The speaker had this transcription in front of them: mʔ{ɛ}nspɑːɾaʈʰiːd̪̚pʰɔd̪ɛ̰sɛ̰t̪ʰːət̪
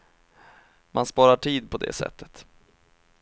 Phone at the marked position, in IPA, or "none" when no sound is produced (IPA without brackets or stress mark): a